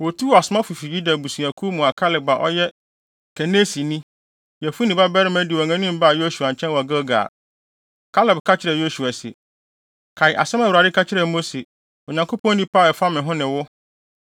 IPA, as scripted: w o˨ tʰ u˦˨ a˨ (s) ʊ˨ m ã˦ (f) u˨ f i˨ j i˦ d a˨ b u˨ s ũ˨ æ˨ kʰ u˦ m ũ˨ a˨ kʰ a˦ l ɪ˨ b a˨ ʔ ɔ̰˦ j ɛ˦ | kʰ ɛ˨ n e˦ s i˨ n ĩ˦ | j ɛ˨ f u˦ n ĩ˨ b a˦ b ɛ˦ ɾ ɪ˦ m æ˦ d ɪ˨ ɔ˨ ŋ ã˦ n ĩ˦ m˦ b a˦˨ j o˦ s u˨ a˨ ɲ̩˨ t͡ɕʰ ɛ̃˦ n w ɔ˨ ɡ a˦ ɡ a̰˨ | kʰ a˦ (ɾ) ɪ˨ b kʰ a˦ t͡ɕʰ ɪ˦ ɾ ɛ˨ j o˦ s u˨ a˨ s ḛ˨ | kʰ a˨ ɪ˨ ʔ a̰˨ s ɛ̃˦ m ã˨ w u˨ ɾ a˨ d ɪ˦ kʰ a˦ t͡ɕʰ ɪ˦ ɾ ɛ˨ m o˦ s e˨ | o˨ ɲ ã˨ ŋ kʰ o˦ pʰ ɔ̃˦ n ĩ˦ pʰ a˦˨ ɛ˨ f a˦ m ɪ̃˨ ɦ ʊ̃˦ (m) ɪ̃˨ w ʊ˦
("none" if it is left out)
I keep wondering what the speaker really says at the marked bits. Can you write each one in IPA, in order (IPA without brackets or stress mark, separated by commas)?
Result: s, f, l, n